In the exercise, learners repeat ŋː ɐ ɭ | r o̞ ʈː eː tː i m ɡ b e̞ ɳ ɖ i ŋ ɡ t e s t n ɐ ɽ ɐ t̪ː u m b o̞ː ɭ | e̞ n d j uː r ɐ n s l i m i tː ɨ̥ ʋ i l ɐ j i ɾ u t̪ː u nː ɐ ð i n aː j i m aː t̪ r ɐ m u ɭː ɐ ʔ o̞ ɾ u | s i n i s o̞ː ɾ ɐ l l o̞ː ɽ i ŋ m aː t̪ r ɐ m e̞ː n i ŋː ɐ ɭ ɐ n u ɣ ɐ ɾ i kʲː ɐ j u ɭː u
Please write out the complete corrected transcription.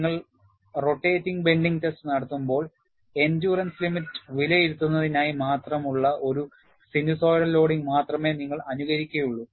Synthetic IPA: ŋː ɐ ɭ | r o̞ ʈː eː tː i ŋ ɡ b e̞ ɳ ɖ i ŋ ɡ t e s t n ɐ ɽ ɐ t̪ː u m b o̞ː ɭ | e̞ n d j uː r ɐ n s l i m i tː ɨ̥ ʋ i l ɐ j i ɾ u t̪ː u nː ɐ ð i n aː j i m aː t̪ r ɐ m u ɭː ɐ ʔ o̞ ɾ u | s i n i s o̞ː ɾ ɐ l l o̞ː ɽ i ŋ m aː t̪ r ɐ m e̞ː n i ŋː ɐ ɭ ɐ n u ɣ ɐ ɾ i kʲː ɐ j u ɭː u